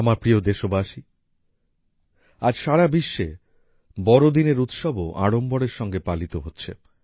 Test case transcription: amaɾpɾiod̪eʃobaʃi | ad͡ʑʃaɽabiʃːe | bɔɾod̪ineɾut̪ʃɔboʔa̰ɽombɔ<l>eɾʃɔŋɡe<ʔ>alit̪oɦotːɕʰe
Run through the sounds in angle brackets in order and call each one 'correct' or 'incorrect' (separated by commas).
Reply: incorrect, incorrect